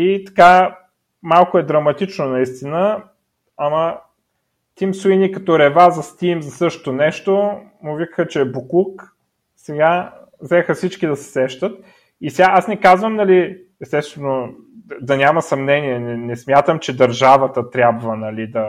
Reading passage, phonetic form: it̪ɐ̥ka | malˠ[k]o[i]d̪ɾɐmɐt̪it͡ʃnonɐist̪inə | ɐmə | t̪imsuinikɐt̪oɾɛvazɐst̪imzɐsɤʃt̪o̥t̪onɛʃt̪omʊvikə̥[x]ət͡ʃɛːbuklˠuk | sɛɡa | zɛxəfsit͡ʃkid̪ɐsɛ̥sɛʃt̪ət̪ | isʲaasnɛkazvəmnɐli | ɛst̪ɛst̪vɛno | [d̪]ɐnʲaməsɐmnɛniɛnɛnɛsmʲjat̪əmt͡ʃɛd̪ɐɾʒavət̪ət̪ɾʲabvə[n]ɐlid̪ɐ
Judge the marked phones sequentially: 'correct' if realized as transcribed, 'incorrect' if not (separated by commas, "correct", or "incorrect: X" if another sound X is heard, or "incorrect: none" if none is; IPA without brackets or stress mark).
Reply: correct, incorrect: ɛ, correct, correct, correct